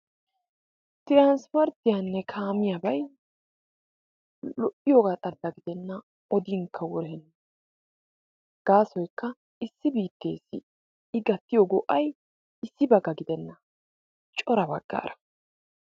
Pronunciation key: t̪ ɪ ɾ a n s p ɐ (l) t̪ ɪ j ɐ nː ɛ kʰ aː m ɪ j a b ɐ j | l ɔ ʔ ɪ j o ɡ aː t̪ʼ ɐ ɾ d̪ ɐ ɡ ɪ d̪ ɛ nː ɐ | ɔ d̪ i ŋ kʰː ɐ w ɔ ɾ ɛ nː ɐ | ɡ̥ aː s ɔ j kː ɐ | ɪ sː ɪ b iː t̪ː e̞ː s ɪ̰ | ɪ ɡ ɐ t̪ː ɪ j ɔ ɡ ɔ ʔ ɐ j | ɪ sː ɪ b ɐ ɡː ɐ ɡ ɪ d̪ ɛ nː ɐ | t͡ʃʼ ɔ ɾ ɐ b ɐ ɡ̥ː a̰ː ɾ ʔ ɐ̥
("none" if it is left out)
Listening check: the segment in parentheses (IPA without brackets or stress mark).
ɾ